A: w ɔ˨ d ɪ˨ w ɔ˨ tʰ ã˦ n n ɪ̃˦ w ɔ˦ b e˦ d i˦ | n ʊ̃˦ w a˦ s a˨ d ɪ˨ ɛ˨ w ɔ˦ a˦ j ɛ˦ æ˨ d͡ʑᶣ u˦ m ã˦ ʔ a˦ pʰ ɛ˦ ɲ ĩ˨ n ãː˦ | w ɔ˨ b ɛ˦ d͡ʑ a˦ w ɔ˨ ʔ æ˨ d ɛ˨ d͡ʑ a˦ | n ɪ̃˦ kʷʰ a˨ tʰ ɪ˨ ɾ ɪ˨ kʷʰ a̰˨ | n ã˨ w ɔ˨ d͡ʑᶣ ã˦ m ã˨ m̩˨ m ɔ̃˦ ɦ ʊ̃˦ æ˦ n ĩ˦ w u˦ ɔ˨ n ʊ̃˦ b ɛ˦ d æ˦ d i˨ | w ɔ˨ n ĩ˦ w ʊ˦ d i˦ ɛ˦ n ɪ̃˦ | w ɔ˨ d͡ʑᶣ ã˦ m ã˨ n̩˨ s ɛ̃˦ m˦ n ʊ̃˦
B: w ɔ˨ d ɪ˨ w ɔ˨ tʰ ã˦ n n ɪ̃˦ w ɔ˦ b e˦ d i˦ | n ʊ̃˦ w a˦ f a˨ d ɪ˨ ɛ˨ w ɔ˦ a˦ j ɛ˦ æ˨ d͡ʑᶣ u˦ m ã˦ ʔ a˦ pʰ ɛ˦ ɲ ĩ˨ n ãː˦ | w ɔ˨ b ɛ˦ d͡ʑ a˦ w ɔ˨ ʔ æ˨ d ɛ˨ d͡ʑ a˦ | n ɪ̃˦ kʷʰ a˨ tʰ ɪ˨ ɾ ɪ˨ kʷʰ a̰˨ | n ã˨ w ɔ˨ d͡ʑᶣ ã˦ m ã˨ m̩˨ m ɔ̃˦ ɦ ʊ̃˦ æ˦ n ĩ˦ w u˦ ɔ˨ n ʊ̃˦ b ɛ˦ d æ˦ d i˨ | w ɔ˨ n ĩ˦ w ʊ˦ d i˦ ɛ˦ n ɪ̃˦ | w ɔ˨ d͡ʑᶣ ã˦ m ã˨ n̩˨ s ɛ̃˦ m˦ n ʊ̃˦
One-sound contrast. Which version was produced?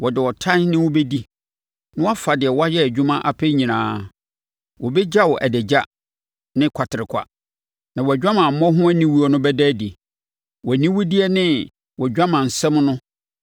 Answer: B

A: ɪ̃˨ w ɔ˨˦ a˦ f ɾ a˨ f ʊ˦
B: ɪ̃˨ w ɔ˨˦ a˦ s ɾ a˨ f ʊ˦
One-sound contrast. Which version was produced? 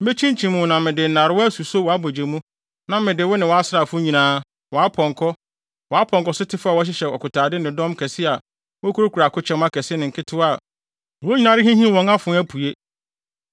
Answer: B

